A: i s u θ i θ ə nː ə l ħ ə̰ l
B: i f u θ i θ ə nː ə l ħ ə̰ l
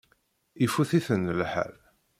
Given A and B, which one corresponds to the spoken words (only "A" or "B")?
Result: B